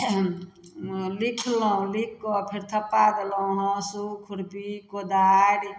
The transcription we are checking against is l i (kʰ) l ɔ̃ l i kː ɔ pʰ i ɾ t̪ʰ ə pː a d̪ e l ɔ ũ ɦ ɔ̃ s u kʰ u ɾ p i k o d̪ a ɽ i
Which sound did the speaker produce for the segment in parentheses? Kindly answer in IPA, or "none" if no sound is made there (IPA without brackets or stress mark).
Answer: kʰ